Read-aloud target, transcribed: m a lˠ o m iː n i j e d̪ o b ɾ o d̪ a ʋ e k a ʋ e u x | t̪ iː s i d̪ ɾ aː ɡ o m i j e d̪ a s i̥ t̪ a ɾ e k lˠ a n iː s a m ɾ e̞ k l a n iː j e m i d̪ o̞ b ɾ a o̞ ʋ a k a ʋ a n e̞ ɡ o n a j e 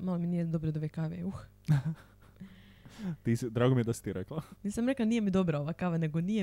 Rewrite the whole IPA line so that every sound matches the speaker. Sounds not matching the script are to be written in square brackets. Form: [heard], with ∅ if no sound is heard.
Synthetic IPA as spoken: m a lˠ o m [i] n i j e d̪ o b ɾ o d̪ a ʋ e k a ʋ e u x | t̪ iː s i d̪ ɾ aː ɡ o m i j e d̪ a s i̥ t̪ [i] ɾ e k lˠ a n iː s a m ɾ e̞ k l a n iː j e m i d̪ o̞ b ɾ a o̞ ʋ a k a ʋ a n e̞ ɡ o n [i] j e